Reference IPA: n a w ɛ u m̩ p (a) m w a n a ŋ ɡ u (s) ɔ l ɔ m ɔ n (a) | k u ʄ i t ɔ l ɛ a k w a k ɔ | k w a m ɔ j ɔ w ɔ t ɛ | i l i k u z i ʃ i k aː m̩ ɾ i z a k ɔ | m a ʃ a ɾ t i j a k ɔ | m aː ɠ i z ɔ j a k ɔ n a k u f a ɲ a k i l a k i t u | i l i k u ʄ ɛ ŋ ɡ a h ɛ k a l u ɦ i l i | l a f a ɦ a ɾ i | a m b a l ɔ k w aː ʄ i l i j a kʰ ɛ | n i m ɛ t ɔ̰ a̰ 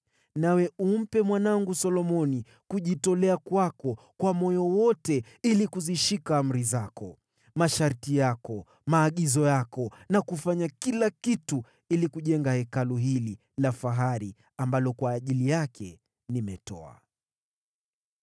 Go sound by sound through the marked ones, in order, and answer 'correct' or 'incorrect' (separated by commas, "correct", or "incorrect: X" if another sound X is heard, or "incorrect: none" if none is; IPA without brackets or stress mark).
incorrect: ɛ, correct, incorrect: i